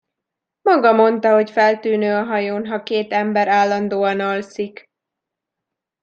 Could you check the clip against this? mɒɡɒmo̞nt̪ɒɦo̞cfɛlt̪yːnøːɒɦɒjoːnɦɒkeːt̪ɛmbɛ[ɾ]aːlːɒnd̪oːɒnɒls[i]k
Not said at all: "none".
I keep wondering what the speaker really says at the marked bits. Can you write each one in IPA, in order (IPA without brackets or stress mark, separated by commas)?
ɾ, i